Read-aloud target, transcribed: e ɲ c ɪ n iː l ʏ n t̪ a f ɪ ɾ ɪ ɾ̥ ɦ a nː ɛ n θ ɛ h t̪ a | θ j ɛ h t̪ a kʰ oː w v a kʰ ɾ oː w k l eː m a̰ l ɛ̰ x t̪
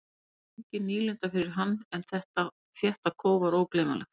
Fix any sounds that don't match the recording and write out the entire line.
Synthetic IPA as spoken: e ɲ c ɪ n iː l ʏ n t̪ a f ɪ ɾ ɪ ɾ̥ ɦ a nː ɛ n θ ɛ h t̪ a | θ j ɛ h t̪ a kʰ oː w v a ɾ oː w k l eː m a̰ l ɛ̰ x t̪

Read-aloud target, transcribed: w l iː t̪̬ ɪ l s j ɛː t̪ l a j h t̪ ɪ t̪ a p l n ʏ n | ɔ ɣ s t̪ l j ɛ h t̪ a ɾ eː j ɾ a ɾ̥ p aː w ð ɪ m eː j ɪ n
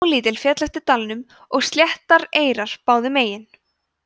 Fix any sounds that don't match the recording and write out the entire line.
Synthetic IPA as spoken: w l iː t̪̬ ɪ l f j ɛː t̪ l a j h t̪ ɪ t̪ a l n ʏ m | ɔ ɣ s t̪ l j ɛ h t̪ a ɾ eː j ɾ a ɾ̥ p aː w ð ɪ m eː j ɪ n

